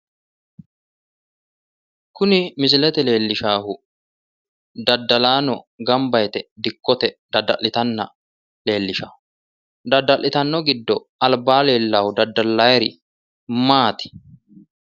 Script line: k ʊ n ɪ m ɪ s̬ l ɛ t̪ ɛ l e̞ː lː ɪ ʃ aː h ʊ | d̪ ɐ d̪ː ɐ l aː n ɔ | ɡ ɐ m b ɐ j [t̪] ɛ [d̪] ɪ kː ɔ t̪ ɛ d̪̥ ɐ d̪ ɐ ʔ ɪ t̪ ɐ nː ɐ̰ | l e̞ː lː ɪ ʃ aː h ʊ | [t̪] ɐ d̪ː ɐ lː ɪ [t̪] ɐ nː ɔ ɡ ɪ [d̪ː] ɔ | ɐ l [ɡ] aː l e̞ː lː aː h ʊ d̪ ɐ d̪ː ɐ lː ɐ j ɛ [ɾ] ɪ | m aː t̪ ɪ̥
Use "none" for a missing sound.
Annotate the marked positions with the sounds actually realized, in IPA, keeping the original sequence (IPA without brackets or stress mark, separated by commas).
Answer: t̪, d̪, d̪, t̪, d̪ː, b, ɾ